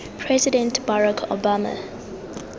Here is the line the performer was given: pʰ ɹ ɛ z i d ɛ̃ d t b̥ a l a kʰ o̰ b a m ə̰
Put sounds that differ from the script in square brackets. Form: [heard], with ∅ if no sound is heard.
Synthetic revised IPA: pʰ ɹ ɛ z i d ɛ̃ [n] t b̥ a [ɹ] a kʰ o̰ b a m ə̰